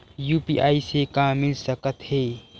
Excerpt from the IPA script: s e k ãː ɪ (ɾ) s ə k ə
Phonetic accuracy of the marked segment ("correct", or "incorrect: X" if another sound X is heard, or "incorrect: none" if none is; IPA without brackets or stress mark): incorrect: l